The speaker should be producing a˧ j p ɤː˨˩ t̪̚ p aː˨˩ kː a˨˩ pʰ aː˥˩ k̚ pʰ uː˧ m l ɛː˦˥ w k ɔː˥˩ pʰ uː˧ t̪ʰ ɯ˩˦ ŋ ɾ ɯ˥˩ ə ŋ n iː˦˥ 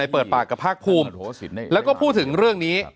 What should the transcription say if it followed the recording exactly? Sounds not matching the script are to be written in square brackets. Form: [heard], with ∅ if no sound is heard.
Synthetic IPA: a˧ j p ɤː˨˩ t̪̚ p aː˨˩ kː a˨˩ pʰ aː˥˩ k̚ pʰ uː˧ m l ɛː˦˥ w k ɔː˥˩ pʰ [uː˥˩] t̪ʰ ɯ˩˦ ŋ ɾ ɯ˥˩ ə ŋ n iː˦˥